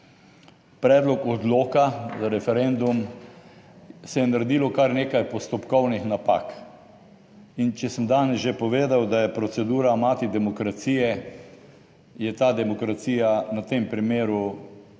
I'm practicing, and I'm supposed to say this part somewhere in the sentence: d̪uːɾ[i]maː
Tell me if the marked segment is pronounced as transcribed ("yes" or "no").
no